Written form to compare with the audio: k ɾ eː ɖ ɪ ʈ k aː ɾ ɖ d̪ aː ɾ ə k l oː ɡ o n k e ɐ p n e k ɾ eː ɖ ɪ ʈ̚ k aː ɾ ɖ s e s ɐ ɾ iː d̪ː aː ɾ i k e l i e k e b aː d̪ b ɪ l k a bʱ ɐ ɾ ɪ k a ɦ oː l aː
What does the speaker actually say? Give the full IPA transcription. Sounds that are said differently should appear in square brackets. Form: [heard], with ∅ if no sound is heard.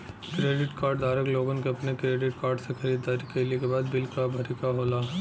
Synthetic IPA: k ɾ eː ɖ ɪ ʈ k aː ɾ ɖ d̪ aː ɾ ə k l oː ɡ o n k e ɐ p n e k ɾ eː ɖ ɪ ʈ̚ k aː ɾ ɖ s e [x] ɐ ɾ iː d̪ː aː ɾ i k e l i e k e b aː d̪ b ɪ l k a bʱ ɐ ɾ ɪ k a ɦ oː l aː

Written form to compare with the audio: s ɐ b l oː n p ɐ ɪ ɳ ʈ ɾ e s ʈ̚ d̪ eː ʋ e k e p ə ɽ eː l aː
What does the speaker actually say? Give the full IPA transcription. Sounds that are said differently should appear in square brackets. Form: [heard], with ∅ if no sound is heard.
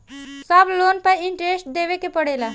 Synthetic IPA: s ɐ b l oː n p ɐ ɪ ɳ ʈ ɾ e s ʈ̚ d̪ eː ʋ e k e p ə ɽ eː l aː

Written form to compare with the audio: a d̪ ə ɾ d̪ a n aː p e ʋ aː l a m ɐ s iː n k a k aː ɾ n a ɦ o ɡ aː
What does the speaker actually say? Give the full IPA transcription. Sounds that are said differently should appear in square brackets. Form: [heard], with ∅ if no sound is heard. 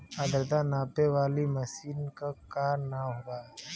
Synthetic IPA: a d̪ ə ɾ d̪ a n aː p e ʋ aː l [i] m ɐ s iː n k a k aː ɾ n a ɦ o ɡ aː

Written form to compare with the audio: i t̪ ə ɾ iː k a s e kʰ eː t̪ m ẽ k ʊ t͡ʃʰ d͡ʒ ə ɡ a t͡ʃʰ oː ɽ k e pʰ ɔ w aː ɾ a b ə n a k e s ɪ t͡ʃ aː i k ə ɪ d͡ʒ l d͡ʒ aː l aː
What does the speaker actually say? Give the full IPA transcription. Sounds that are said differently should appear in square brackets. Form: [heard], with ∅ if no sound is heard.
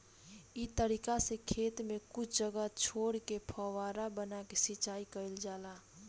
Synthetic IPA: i t̪ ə ɾ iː k a s e kʰ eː t̪ m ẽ k ʊ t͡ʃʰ d͡ʒ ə ɡ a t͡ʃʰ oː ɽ k e pʰ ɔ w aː ɾ a b ə n a k e s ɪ t͡ʃ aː i k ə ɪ [∅] l d͡ʒ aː l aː

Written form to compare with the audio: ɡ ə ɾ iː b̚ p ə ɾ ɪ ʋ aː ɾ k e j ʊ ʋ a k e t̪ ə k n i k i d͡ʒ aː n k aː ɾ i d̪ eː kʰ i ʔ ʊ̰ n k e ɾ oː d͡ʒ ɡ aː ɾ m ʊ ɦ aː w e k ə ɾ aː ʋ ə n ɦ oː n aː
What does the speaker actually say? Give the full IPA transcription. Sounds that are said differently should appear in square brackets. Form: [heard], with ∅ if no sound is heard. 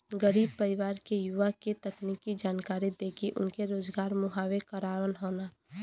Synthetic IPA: ɡ ə ɾ iː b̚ p ə ɾ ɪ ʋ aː ɾ k e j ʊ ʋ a k e t̪ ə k n i k i d͡ʒ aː n k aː ɾ i d̪ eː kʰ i ʔ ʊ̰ n k e ɾ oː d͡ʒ ɡ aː ɾ m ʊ ɦ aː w e k ə ɾ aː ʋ ə n ɦ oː n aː

